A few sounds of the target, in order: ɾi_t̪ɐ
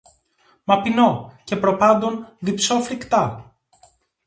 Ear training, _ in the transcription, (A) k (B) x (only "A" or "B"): A